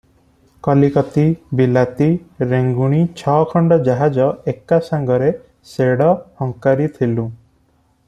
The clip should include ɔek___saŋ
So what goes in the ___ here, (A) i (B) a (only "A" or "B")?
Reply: B